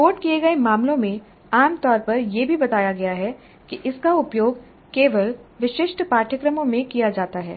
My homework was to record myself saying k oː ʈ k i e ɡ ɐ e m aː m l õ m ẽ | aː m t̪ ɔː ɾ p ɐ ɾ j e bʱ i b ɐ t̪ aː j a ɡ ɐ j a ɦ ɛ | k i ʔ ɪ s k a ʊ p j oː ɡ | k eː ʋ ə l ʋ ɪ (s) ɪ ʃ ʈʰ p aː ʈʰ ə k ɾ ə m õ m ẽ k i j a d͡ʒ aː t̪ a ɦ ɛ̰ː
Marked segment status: incorrect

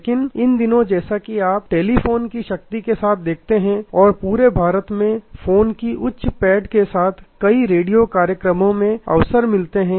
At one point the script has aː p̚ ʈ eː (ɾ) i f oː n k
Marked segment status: incorrect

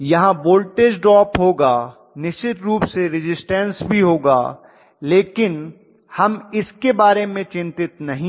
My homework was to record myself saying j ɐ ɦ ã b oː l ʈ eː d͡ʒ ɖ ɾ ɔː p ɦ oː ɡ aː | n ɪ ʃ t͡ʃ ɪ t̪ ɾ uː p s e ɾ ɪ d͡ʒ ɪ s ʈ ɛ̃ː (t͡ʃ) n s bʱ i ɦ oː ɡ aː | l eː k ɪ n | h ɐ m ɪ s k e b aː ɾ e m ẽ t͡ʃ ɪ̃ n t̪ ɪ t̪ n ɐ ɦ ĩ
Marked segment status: incorrect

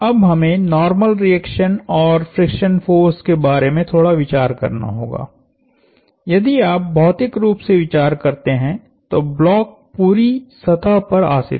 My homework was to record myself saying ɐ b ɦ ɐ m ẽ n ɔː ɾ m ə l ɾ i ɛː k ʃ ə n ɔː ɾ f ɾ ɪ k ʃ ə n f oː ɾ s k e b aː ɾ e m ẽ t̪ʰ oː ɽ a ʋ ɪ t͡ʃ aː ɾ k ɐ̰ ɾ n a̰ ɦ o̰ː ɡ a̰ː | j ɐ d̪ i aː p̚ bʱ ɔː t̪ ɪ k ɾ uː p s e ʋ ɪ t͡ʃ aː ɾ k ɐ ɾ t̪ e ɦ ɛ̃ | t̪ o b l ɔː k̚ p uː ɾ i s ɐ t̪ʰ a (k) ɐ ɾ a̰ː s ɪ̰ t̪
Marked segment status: incorrect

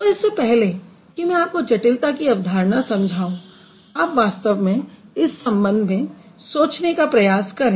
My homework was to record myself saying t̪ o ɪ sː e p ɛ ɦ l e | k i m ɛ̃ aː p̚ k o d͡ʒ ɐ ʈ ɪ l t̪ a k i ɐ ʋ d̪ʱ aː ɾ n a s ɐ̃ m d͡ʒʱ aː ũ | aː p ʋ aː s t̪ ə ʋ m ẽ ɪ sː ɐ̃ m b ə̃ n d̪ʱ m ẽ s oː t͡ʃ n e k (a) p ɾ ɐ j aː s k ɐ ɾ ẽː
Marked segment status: correct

